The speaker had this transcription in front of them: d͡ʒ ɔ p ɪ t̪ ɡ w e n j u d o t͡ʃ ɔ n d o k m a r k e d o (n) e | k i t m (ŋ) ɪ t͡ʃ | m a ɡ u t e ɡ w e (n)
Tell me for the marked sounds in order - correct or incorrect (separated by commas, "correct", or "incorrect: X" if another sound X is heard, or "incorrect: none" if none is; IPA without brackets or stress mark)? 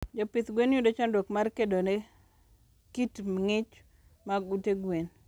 correct, correct, correct